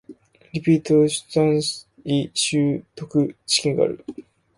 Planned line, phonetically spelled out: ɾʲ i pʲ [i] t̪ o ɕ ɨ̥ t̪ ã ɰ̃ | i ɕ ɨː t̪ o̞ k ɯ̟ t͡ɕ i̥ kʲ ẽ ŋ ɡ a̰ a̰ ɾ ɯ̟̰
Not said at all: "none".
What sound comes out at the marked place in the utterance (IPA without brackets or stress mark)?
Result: iː